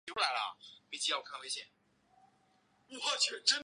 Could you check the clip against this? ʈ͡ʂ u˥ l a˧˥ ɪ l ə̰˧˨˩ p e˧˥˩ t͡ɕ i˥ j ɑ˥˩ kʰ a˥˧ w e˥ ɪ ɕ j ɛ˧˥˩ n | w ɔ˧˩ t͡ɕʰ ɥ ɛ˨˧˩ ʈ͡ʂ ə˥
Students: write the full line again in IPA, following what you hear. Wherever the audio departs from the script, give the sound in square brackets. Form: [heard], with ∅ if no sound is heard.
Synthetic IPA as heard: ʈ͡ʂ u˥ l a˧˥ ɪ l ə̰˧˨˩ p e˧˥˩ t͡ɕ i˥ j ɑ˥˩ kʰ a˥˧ w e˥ ɪ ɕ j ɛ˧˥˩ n | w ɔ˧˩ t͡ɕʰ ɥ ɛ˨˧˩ ʈ͡ʂ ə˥

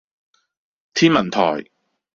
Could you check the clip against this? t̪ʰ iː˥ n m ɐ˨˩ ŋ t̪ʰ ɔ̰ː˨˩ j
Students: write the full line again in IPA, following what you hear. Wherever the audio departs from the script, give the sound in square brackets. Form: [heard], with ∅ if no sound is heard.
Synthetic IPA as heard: t̪ʰ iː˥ n m ɐ˨˩ [n] t̪ʰ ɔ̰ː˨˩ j

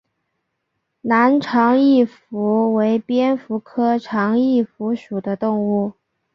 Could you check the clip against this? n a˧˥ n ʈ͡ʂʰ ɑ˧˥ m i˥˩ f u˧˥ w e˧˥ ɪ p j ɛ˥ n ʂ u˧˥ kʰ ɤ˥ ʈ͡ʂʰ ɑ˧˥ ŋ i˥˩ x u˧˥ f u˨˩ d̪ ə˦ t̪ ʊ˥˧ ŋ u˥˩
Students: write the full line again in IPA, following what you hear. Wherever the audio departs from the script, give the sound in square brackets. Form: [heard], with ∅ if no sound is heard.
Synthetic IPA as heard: n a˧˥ n ʈ͡ʂʰ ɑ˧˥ [ŋ] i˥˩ f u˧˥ w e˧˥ ɪ p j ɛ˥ n [f] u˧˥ kʰ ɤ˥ ʈ͡ʂʰ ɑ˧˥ ŋ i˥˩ [f] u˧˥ [ʂ] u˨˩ d̪ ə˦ t̪ ʊ˥˧ ŋ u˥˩

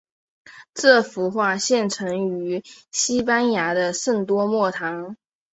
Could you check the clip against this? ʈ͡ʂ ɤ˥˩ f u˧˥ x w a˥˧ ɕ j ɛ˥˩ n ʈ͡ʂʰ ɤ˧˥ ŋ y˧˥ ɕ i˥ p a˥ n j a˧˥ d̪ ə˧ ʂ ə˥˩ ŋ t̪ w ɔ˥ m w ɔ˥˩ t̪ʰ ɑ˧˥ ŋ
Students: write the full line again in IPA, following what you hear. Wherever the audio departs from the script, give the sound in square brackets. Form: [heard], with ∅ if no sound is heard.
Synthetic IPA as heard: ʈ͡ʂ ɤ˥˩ f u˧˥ x w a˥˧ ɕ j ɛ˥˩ n ʈ͡ʂʰ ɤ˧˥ ŋ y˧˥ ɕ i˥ p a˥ n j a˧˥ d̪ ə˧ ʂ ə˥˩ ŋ t̪ w ɔ˥ m w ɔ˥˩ t̪ʰ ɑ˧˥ ŋ

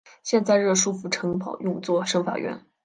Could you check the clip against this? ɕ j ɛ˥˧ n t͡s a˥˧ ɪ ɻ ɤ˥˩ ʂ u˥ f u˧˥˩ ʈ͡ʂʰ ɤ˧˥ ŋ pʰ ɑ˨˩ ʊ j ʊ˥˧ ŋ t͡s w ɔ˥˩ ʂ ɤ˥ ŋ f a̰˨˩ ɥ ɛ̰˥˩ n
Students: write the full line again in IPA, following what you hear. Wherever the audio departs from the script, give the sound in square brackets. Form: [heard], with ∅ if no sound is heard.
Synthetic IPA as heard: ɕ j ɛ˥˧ n t͡s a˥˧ ɪ ɻ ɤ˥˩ ʂ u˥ f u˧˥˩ ʈ͡ʂʰ ɤ˧˥ ŋ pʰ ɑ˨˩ ʊ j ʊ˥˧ ŋ t͡s w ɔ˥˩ ʂ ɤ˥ ŋ f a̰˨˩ ɥ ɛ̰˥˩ n

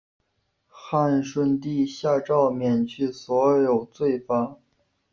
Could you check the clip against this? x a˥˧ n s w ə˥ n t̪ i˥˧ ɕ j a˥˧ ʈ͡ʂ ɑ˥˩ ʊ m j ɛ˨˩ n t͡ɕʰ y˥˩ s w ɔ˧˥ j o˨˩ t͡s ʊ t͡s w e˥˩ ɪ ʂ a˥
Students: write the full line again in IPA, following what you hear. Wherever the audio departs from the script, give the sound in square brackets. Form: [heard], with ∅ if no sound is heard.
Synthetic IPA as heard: x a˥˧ n [ʂ] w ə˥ n t̪ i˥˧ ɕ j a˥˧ ʈ͡ʂ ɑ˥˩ ʊ m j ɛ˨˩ n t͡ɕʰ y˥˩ s w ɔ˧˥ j o˨˩ [∅] ʊ t͡s w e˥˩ ɪ [f] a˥

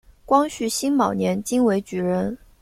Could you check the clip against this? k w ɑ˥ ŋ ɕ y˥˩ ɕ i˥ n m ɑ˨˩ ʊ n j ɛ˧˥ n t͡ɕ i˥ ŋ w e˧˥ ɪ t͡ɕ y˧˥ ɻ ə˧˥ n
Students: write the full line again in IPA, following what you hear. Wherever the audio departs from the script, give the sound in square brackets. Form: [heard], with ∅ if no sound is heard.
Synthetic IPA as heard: k w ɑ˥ ŋ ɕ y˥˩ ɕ i˥ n m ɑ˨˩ ʊ n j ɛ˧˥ n t͡ɕ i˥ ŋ w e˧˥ ɪ t͡ɕ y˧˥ ɻ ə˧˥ n

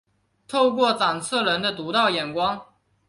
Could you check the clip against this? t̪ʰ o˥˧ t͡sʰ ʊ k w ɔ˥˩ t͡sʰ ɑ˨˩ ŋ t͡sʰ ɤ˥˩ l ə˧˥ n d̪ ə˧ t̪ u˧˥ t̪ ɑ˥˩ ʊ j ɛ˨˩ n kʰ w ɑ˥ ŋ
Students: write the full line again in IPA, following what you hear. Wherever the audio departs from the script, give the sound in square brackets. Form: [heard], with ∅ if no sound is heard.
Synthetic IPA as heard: t̪ʰ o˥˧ [∅] ʊ k w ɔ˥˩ [t͡s] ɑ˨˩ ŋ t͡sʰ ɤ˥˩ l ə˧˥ n d̪ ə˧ t̪ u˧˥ t̪ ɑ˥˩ ʊ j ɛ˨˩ n [k] w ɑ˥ ŋ

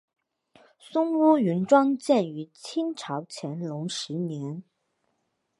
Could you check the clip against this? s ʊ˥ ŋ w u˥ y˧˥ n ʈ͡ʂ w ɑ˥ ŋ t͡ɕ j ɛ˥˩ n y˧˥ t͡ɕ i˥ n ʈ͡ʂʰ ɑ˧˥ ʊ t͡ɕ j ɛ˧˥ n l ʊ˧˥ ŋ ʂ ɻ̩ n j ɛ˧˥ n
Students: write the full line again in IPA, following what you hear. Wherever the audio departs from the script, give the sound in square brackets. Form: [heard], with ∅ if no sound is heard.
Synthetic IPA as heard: s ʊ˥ ŋ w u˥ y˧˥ n ʈ͡ʂ w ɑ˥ ŋ t͡ɕ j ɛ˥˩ n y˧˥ [t͡ɕʰ] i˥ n ʈ͡ʂʰ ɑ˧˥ ʊ [t͡ɕʰ] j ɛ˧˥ n l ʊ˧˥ ŋ ʂ ɻ̩ n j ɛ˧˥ n

